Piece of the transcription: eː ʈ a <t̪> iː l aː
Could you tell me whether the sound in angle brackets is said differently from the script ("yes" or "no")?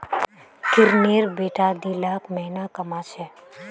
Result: yes